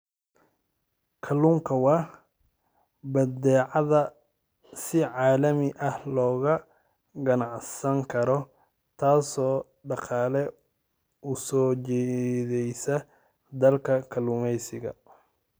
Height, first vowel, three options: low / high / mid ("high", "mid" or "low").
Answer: low